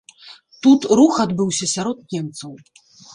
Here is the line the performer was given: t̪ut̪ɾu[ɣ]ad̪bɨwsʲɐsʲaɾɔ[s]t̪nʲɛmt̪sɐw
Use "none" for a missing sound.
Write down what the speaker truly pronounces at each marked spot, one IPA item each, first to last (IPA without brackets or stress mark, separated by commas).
x, none